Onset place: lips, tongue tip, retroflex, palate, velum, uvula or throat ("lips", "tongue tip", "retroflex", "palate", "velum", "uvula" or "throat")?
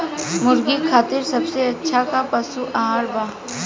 lips